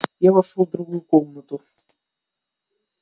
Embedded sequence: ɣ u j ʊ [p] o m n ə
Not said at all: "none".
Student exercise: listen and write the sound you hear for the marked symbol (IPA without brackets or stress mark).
k